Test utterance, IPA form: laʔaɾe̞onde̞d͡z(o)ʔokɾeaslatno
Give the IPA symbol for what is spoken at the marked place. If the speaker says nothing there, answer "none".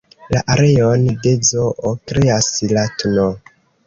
o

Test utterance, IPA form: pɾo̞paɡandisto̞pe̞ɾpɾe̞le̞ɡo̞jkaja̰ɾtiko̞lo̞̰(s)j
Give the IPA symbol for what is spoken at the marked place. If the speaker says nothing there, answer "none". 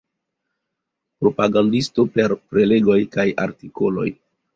none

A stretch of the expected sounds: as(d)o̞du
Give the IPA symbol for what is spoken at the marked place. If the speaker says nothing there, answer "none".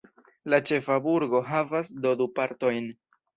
d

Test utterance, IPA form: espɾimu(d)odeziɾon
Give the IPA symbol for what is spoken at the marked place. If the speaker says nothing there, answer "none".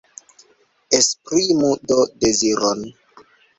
d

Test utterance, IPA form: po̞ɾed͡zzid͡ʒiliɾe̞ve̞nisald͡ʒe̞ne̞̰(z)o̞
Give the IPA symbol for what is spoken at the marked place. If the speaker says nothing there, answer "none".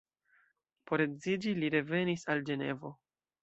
v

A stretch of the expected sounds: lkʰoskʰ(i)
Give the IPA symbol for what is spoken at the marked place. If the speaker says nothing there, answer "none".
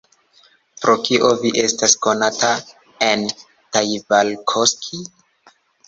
i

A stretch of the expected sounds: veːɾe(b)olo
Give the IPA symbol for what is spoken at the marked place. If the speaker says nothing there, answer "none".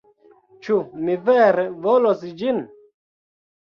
v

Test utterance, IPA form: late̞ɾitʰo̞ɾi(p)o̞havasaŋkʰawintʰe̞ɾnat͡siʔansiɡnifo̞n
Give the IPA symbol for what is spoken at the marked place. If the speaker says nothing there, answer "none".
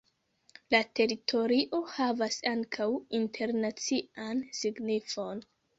ʔ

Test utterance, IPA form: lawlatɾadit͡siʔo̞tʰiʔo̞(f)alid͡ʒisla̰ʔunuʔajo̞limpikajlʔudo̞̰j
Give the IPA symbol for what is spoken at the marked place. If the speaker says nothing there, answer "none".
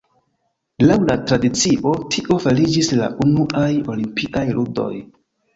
f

